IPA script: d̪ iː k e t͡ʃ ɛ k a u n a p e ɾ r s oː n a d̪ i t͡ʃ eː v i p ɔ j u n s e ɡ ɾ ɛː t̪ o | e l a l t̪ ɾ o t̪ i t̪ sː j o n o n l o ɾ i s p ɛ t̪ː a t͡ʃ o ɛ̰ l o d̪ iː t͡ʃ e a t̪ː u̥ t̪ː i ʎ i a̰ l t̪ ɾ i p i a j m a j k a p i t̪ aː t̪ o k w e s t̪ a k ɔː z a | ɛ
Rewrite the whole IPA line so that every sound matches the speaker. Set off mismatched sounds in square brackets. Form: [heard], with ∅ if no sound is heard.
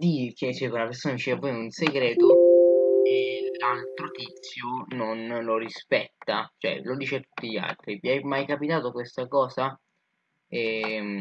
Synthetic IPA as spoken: d̪ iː k e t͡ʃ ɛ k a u n a p e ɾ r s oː n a d̪ i t͡ʃ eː v [a] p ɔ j u n s e ɡ ɾ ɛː t̪ o | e l a l t̪ ɾ o t̪ i t̪ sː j o n o n l o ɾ i s p ɛ t̪ː a t͡ʃ o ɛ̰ l o d̪ iː t͡ʃ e a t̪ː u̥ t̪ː i ʎ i a̰ l t̪ ɾ i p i a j m a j k a p i t̪ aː t̪ o k w e s t̪ a k ɔː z a | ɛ